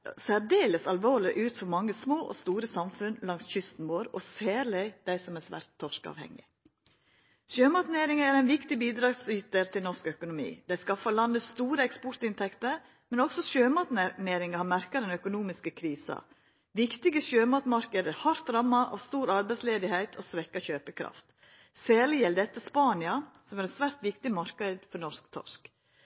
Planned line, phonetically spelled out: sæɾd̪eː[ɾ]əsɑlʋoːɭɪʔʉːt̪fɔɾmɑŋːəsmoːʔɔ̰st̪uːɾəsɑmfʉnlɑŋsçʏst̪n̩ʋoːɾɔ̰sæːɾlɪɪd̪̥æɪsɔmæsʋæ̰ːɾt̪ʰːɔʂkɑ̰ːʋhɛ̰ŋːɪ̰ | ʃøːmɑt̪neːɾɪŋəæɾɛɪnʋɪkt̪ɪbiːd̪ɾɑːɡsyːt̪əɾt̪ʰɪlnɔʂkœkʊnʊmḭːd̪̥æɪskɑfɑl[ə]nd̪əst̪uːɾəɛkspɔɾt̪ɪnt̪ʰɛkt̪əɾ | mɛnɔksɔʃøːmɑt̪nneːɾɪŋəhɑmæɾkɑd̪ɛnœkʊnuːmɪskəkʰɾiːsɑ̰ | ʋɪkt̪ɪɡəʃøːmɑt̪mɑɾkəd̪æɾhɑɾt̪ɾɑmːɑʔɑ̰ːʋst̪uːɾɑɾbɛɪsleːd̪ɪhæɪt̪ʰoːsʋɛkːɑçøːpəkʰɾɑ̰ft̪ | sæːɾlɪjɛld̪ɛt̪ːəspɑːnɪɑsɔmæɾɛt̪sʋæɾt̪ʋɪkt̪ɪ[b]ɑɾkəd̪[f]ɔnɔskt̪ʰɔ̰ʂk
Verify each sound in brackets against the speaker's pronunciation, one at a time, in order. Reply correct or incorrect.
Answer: incorrect: l, incorrect: ɑ, incorrect: m, correct

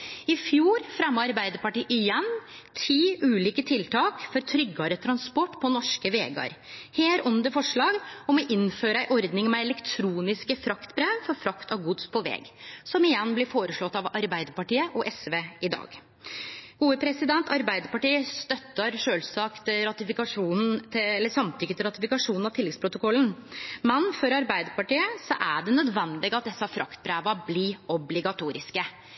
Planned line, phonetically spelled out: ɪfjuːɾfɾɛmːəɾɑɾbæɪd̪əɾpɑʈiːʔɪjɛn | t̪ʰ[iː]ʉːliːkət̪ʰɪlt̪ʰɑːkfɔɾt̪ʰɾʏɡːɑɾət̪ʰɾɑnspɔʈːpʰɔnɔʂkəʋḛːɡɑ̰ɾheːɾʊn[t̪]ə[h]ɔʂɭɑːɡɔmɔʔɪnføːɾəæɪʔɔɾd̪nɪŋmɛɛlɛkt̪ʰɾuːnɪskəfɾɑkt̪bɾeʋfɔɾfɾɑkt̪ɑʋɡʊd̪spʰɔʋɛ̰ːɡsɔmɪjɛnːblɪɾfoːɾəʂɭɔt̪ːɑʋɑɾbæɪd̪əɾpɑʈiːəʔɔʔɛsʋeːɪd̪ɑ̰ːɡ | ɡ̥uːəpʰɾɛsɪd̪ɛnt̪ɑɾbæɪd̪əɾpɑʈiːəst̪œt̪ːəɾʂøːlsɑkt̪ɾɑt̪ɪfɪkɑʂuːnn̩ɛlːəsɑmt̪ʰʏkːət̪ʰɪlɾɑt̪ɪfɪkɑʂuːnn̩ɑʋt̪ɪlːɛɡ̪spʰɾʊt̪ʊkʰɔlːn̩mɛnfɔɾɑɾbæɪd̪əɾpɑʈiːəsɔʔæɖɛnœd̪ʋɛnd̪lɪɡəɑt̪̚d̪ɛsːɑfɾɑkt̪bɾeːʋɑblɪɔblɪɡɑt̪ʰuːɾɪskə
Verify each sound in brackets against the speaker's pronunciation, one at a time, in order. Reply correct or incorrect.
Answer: correct, incorrect: d̪, incorrect: f

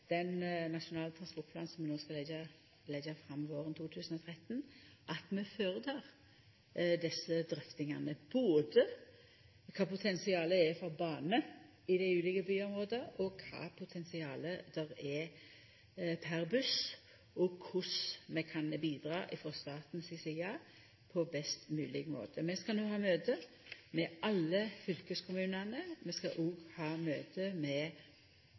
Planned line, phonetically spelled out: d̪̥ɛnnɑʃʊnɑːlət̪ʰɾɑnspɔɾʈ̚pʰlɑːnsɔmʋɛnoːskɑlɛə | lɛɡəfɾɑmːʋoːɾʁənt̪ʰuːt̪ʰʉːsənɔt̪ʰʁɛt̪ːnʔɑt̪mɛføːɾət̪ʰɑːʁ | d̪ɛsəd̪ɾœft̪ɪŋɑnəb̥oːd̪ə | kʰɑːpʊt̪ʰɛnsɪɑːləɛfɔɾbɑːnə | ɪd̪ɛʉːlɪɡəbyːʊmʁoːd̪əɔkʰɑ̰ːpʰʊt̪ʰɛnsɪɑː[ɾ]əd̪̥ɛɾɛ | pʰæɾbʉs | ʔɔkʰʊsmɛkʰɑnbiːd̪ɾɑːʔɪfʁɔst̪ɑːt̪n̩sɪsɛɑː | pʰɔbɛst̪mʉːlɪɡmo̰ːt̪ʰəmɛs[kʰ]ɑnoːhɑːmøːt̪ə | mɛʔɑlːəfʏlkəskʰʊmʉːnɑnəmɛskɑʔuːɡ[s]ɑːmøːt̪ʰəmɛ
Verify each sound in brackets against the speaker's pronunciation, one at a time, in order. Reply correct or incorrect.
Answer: incorrect: l, incorrect: k, incorrect: h

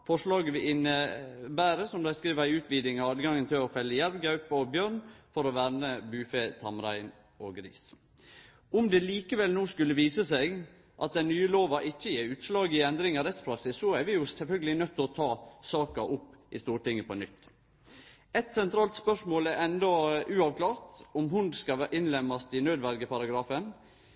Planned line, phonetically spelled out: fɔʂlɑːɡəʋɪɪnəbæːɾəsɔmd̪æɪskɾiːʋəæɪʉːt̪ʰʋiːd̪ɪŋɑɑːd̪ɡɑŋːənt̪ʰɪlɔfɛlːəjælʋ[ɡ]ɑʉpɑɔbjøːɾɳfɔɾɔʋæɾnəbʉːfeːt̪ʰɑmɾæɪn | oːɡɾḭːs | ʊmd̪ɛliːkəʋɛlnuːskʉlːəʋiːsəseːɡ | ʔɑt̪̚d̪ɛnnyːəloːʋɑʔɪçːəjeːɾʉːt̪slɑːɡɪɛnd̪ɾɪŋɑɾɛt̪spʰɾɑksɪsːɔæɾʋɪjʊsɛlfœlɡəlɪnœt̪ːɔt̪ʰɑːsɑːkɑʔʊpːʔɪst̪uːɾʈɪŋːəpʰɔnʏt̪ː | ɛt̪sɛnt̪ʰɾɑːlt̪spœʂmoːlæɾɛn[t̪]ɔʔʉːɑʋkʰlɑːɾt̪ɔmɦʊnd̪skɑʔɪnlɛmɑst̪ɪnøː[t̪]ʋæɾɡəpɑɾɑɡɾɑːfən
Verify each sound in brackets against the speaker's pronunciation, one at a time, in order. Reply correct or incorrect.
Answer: correct, incorrect: d̪, incorrect: d̪

